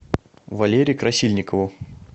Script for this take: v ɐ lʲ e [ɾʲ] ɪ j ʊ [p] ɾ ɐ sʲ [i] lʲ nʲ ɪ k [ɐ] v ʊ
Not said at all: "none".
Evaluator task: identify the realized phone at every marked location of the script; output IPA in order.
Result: ɾʲ, k, i, ə

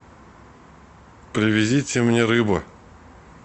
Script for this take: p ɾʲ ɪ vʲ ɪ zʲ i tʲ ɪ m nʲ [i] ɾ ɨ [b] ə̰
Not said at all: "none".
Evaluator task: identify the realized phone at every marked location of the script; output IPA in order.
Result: e, b

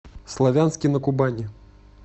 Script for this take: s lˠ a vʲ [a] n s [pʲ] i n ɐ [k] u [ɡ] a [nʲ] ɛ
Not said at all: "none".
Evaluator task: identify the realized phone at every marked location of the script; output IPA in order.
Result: a, kʲ, k, b, nʲ

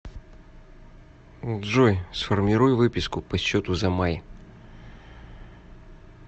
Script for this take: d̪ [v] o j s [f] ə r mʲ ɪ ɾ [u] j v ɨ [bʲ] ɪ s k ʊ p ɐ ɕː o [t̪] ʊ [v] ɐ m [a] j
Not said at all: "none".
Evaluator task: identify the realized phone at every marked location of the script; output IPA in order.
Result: ʐ, f, u, pʲ, t̪, z, a

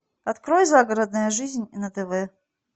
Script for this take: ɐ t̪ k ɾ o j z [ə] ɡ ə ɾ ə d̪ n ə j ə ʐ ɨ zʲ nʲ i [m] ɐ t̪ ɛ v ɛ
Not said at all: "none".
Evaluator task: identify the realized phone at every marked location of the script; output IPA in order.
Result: a, n

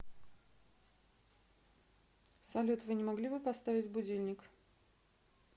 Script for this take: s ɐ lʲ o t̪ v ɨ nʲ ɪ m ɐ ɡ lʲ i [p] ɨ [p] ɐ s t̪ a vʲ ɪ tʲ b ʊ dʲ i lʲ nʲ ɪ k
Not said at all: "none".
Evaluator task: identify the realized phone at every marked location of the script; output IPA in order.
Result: b, p

